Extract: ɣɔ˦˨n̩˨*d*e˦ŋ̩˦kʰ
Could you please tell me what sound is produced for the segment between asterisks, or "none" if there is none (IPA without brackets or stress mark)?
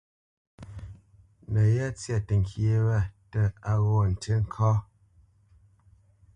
t